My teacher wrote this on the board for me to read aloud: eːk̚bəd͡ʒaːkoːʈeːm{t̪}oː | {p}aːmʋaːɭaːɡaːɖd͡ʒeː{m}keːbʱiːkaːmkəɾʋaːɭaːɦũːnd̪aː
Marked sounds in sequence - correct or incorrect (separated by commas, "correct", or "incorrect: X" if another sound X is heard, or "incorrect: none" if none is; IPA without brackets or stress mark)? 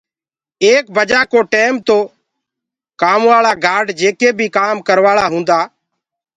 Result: correct, incorrect: k, incorrect: none